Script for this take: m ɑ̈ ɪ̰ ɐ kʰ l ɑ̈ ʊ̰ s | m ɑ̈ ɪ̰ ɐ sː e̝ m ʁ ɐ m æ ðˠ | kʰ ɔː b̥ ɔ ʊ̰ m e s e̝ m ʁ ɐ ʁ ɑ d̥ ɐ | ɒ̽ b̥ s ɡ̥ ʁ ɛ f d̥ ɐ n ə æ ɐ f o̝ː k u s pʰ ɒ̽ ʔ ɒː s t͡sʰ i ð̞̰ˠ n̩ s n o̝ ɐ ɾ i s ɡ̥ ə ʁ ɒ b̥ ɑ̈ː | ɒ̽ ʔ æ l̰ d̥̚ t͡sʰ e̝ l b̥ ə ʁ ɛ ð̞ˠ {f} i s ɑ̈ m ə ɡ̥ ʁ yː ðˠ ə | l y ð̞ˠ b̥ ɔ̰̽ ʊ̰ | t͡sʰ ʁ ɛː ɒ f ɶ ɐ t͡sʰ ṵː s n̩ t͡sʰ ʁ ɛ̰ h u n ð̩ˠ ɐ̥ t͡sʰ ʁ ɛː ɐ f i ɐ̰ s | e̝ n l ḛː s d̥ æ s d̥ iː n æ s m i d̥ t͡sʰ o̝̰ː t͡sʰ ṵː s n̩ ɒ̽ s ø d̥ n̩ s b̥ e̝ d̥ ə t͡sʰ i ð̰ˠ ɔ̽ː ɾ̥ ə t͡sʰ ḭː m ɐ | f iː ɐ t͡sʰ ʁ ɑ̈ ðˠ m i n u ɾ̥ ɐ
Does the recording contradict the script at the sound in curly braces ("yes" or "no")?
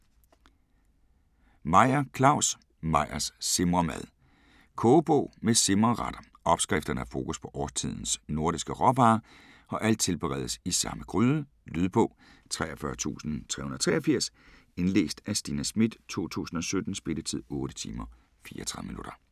yes